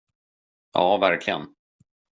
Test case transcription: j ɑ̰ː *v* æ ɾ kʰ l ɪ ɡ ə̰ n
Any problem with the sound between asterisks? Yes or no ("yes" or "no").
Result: no